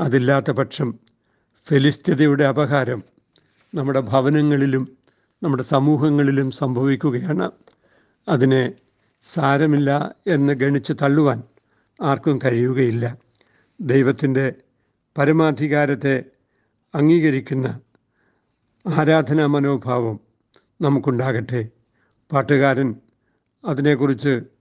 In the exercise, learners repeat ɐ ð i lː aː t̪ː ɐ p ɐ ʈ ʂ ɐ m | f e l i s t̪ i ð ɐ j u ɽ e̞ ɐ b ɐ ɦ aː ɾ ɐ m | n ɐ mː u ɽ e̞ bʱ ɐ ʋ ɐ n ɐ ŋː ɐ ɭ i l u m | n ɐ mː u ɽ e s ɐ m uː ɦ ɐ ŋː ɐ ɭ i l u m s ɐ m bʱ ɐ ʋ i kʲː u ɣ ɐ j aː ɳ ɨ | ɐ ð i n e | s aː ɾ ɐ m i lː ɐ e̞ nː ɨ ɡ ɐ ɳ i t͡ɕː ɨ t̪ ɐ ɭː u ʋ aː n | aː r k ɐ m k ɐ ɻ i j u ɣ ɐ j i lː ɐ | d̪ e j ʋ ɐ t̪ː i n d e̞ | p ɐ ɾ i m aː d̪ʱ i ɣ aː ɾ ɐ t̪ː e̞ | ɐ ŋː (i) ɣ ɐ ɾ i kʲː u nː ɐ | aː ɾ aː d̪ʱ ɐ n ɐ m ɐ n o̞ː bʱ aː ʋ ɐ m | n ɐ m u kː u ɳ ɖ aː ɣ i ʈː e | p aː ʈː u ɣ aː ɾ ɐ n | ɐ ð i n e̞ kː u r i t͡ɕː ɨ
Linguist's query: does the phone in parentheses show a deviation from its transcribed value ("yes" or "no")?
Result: yes